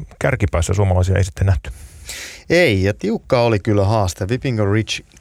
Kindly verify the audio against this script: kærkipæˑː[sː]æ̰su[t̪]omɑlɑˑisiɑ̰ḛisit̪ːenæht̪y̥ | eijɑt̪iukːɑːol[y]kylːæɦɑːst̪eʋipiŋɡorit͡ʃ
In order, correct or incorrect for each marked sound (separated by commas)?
correct, incorrect, incorrect